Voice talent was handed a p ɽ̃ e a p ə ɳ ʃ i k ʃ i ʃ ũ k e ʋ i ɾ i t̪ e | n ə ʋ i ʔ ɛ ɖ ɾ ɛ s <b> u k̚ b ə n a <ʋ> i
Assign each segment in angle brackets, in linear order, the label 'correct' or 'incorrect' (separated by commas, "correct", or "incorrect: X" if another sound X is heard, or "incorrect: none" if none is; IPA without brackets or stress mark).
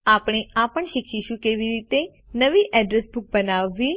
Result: correct, incorrect: ʋː